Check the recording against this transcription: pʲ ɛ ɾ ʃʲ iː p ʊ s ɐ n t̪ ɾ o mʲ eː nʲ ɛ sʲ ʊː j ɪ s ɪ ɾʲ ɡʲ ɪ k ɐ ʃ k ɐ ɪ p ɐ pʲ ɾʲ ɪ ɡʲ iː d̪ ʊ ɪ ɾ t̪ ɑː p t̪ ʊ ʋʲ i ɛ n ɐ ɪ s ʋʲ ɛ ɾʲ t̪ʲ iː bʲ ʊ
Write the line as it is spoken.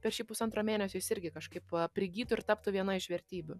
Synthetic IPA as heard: pʲ ɛ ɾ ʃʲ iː p ʊ s ɐ n t̪ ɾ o mʲ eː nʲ ɛ sʲ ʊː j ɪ s ɪ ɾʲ ɡʲ ɪ k ɐ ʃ k ɐ ɪ p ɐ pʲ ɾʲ ɪ ɡʲ iː t̪ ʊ ɪ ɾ t̪ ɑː p t̪ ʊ ʋʲ i ɛ n ɐ ɪ ʃ ʋʲ ɛ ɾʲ t̪ʲ iː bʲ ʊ